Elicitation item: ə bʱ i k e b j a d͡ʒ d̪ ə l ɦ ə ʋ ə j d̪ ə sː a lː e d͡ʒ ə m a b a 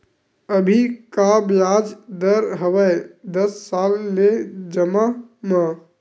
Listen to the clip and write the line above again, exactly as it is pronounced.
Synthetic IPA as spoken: ə bʱ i k a b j a d͡ʒ d̪ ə ɾ ɦ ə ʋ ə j d̪ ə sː a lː e d͡ʒ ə m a m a